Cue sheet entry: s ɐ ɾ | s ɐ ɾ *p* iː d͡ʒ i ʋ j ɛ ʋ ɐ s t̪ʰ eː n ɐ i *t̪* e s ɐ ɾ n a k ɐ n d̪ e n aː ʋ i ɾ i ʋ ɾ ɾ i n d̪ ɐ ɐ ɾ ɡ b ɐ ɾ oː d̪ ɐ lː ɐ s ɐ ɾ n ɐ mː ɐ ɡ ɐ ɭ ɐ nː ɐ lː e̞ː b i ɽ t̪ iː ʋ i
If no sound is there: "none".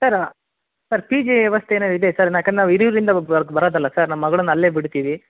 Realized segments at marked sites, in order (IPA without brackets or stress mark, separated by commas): p, d̪